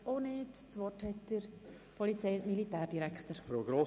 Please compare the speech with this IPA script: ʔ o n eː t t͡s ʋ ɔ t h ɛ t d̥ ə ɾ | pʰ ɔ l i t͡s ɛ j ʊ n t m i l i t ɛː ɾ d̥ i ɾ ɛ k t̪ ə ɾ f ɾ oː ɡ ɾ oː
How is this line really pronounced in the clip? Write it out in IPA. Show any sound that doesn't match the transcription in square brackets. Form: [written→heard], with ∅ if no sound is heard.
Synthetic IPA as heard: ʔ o n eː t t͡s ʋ ɔ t h ɛ t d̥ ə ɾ | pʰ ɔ l i t͡s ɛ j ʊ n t m i l i t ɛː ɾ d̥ i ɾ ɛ k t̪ ə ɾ f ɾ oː ɡ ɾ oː